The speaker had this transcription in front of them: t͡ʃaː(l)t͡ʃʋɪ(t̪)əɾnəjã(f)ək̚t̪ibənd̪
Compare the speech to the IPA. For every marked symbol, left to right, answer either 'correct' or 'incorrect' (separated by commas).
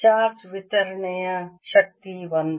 incorrect, correct, incorrect